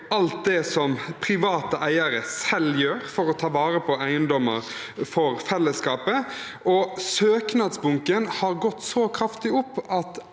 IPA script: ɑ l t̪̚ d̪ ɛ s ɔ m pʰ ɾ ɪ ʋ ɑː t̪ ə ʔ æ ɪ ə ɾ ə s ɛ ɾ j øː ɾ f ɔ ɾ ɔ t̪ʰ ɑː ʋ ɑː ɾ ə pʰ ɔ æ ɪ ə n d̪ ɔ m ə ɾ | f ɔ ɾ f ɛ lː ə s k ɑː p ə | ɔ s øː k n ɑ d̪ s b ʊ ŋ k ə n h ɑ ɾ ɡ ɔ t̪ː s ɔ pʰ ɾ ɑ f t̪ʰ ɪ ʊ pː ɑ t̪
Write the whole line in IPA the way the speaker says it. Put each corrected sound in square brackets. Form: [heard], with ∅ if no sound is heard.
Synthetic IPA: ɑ l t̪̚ d̪ ɛ s ɔ m pʰ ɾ ɪ ʋ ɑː t̪ ə ʔ æ ɪ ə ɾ ə s ɛ [l] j øː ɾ f ɔ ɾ ɔ t̪ʰ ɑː ʋ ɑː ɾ ə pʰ ɔ æ ɪ ə n d̪ ɔ m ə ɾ | f ɔ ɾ f ɛ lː ə s k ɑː p ə | ɔ s øː k n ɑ d̪ s b ʊ ŋ k ə n h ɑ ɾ ɡ ɔ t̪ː s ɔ [kʰ] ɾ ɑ f [t̪] ɪ ʊ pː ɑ t̪